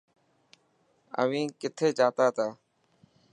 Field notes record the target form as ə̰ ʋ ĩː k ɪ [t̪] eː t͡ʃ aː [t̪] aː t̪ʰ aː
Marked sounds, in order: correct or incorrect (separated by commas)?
incorrect, correct